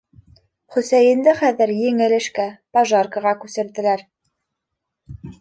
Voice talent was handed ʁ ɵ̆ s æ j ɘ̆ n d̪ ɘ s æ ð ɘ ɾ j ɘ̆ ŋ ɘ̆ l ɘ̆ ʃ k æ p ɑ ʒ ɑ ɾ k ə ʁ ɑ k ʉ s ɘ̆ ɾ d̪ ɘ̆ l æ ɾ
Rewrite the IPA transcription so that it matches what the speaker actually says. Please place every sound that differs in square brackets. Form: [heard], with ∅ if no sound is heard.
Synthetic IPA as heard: [χ] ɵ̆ s æ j ɘ̆ n d̪ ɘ [χ] æ ð ɘ ɾ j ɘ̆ ŋ ɘ̆ l ɘ̆ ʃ k æ p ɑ ʒ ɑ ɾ k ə ʁ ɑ k ʉ s ɘ̆ ɾ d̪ ɘ̆ l æ ɾ